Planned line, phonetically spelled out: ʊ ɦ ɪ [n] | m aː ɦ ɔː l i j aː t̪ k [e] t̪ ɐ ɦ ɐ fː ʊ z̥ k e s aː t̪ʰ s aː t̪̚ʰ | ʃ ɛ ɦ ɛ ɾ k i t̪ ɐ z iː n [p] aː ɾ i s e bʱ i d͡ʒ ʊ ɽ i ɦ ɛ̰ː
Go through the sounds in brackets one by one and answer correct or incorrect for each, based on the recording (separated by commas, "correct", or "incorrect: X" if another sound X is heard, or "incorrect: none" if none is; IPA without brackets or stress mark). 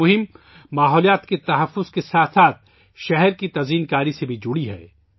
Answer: incorrect: m, correct, incorrect: k